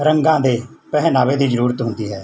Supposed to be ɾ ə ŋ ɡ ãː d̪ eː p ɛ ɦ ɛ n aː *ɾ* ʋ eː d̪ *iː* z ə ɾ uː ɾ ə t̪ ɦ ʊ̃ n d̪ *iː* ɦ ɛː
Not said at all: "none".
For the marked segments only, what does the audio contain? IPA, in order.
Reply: none, iː, iː

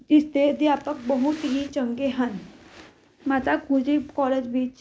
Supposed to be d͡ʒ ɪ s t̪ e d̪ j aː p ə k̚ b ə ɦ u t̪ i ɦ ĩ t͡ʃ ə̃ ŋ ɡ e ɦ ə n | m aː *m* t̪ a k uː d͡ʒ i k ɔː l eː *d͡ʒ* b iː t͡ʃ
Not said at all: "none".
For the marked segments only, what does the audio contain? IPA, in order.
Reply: none, d͡ʒ

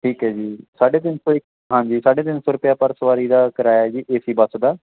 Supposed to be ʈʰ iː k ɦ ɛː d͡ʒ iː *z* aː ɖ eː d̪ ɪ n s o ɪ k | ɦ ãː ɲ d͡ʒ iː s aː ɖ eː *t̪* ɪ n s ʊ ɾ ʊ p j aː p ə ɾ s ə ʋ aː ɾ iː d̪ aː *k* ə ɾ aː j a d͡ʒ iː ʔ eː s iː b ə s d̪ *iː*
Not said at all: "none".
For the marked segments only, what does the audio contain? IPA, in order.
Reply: s, d̪, k, aː

